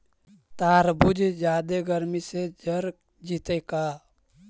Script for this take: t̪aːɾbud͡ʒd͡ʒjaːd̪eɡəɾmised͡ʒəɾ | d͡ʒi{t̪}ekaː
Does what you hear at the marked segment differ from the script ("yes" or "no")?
no